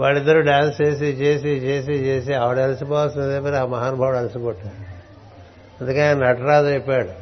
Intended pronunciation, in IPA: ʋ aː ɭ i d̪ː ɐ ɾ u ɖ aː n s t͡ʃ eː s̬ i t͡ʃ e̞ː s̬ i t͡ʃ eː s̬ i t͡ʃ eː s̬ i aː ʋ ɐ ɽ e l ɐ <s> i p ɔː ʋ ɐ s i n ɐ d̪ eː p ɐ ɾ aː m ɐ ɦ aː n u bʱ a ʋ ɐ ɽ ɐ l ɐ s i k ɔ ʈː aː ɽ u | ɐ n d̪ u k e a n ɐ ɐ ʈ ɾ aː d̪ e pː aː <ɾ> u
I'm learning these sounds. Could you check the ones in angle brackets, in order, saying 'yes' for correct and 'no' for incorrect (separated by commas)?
yes, no